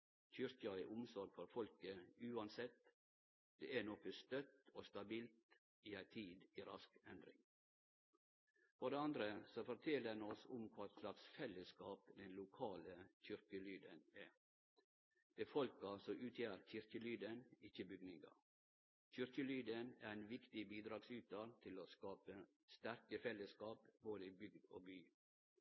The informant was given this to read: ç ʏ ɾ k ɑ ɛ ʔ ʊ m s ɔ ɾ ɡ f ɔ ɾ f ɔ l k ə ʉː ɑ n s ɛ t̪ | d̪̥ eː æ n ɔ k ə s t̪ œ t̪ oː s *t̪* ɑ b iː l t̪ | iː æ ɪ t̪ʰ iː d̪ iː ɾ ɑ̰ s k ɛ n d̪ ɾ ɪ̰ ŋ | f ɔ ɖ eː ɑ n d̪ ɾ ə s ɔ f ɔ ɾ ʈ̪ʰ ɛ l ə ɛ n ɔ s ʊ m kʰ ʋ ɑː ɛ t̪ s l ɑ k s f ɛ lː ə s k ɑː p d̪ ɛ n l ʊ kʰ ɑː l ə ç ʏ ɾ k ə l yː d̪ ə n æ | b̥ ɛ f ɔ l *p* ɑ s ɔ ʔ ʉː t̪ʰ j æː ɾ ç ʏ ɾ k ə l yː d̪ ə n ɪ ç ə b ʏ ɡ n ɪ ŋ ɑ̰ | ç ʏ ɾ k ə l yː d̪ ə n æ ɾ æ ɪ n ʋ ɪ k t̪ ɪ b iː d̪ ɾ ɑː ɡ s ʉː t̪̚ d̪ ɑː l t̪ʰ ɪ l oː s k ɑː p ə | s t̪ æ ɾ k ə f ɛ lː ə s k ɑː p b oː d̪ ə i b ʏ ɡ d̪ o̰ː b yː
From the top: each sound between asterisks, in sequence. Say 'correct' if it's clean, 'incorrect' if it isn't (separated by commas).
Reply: correct, incorrect